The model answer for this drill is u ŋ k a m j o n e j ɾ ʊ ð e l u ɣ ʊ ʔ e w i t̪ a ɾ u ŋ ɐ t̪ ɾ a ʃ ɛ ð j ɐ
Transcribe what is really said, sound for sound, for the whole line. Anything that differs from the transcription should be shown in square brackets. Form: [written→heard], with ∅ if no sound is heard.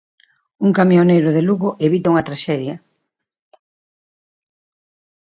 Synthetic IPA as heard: u ŋ k a m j o n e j ɾ ʊ ð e l u ɣ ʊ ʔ e [w→β] i t̪ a [ɾ→∅] u ŋ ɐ t̪ ɾ a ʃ ɛ ð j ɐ